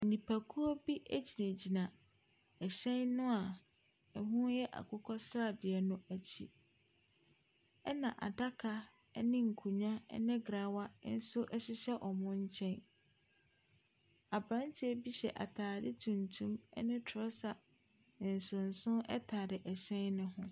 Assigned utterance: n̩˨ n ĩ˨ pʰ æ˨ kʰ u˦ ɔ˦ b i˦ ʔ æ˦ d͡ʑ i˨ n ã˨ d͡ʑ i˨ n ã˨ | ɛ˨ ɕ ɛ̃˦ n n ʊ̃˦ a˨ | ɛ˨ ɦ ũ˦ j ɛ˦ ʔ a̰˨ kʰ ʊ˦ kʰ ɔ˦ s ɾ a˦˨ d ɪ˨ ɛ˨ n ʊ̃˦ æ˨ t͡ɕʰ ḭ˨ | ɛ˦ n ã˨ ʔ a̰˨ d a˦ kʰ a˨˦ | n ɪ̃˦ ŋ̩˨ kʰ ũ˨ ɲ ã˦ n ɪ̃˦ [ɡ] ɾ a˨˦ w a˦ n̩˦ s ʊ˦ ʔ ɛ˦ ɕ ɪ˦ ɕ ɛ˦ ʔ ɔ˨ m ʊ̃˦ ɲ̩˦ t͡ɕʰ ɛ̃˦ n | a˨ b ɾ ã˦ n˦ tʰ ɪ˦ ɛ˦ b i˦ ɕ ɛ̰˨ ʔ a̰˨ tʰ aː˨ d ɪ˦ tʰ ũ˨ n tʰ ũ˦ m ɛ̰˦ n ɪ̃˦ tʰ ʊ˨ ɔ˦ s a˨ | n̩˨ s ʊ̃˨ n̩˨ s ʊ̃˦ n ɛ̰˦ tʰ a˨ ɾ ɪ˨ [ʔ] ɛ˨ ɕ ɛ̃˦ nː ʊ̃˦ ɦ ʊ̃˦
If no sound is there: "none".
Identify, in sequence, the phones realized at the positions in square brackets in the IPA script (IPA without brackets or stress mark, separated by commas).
ɡ, ʔ